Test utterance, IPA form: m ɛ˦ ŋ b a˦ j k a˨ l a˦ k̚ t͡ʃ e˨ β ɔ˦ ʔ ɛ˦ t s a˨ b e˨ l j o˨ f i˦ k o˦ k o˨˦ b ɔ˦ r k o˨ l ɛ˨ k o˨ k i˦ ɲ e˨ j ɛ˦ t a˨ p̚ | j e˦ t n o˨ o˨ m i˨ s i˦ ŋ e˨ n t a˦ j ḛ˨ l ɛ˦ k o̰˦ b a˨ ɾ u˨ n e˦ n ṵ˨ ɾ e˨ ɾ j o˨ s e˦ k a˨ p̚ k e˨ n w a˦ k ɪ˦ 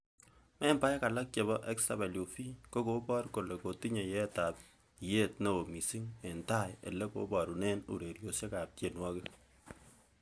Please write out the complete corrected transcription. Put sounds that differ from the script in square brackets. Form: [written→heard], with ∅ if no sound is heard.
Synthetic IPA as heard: m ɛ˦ [ŋ→m] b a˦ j k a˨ l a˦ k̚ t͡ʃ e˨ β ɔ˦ ʔ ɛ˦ [t→k] s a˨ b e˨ l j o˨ f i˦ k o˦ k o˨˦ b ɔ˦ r k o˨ l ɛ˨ k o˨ [k→t] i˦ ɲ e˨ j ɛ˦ t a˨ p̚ | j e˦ t n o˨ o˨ m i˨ s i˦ ŋ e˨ n t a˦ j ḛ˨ l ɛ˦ k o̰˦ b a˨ ɾ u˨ n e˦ n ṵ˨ ɾ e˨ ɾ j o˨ s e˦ k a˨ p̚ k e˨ n w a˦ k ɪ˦